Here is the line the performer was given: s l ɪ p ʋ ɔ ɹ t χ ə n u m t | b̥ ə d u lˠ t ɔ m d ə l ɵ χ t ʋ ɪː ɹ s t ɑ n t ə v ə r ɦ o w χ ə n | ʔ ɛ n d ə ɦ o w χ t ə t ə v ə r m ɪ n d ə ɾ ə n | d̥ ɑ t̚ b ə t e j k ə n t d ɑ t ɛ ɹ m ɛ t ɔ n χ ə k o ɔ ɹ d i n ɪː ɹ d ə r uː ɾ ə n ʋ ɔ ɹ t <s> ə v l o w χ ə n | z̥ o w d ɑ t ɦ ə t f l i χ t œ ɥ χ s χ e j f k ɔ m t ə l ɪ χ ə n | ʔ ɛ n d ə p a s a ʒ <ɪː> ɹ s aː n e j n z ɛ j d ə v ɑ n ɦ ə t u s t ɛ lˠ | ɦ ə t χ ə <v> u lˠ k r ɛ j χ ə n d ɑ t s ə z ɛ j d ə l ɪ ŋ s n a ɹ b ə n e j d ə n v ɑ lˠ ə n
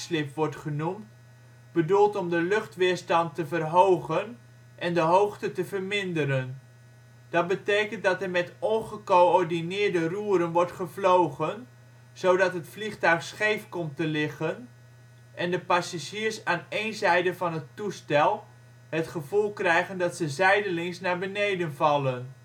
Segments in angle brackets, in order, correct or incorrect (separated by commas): incorrect, incorrect, correct